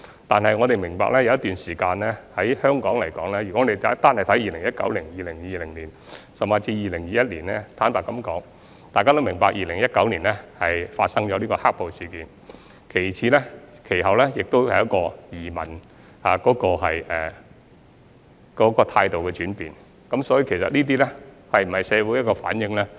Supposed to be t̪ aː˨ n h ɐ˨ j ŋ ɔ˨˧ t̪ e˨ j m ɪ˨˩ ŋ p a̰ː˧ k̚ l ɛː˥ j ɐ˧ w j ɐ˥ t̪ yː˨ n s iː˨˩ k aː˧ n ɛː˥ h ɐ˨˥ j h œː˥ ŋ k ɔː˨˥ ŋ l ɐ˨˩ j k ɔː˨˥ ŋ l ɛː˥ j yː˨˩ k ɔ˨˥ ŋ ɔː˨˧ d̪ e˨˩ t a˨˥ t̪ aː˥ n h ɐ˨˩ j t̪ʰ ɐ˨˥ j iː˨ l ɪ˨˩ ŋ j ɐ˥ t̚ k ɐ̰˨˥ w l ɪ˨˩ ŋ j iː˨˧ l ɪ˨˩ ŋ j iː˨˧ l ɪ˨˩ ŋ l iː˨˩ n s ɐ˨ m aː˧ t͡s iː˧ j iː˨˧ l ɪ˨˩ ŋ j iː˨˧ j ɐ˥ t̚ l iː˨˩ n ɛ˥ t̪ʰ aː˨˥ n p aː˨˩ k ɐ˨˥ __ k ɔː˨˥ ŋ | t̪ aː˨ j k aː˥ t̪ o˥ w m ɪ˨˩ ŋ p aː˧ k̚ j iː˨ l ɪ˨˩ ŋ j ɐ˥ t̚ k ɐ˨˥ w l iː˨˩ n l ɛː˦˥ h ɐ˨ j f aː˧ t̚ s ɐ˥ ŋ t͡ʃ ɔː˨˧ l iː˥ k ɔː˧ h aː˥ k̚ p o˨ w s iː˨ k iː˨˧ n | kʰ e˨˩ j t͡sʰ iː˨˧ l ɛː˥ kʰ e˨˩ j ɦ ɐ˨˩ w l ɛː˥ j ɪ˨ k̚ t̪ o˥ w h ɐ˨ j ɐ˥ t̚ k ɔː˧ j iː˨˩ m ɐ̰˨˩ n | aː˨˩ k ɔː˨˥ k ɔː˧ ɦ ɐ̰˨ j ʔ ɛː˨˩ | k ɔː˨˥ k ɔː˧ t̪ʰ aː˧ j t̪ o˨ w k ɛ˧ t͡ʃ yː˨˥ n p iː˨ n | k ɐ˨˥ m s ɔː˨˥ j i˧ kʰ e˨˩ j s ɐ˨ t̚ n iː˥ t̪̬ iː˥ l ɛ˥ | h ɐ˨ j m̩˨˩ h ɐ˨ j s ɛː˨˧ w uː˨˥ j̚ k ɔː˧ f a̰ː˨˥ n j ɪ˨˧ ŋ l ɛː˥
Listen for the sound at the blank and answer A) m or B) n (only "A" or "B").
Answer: A